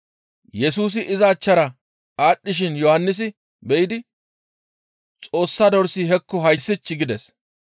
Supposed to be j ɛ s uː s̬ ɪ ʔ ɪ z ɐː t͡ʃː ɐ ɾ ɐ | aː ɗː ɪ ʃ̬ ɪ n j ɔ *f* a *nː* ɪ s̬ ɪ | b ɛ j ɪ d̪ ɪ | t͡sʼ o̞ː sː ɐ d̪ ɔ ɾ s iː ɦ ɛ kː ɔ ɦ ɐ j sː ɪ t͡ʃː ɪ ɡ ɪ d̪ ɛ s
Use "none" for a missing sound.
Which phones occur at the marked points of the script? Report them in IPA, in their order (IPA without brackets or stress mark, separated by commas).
h, nː